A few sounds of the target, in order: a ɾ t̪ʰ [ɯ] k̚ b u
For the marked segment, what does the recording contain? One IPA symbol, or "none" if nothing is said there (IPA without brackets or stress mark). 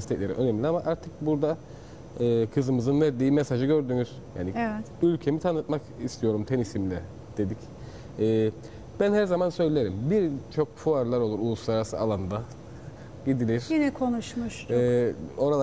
ɯ